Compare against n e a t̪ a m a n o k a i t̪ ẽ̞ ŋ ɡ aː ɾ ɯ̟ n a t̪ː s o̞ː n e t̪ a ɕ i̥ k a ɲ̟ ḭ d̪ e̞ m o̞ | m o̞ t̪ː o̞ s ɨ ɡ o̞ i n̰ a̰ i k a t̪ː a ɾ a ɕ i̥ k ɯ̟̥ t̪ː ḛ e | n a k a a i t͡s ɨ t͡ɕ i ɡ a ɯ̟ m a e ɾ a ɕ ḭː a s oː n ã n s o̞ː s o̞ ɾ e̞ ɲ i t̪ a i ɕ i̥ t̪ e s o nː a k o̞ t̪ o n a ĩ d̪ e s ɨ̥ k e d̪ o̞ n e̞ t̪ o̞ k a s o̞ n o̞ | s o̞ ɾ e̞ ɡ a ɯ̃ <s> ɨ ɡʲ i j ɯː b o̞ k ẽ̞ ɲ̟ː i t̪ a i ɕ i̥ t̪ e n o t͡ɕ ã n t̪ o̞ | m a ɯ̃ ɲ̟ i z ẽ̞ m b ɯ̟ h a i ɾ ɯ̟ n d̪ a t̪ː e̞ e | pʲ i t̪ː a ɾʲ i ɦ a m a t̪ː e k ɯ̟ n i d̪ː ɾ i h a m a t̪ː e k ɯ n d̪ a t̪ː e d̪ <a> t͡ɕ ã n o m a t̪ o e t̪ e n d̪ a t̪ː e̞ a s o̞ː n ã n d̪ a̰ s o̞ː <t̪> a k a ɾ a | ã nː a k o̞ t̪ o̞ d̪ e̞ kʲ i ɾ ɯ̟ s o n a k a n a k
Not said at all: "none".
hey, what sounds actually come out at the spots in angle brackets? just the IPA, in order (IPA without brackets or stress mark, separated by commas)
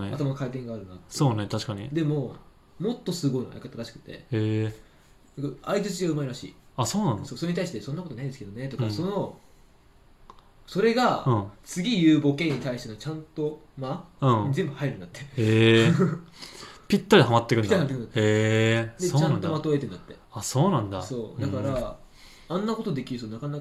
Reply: t͡s, e, d̪